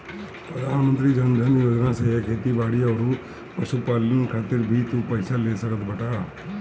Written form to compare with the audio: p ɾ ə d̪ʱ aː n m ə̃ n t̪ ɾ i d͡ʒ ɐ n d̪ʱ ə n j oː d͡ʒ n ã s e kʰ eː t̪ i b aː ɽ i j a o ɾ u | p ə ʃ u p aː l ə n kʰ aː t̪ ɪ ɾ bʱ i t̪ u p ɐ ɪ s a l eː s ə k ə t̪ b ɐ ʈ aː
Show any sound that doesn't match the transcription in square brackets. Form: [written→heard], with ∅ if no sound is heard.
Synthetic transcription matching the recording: p ɾ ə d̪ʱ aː n m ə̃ n t̪ ɾ i d͡ʒ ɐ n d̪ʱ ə n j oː d͡ʒ n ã s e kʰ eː t̪ i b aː ɽ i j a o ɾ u | p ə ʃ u p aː l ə n kʰ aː t̪ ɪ ɾ bʱ i t̪ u p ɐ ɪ s a l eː s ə k ə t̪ b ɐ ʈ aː